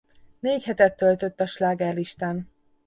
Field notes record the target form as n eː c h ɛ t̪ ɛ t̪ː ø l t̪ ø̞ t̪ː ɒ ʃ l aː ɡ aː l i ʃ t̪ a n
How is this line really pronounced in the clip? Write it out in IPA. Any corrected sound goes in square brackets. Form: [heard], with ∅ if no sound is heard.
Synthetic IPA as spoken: n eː c h ɛ t̪ ɛ t̪ː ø l t̪ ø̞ t̪ː ɒ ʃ l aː ɡ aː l i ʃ t̪ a n